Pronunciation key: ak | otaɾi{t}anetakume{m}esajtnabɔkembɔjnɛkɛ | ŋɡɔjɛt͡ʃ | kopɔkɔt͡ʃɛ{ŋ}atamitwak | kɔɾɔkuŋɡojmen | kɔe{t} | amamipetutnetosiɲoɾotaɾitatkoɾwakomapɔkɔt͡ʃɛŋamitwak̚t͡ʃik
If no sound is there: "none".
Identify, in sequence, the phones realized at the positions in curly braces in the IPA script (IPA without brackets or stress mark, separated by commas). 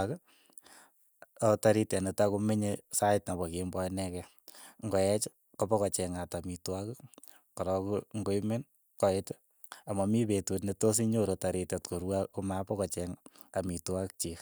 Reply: t, ɲ, ŋ, t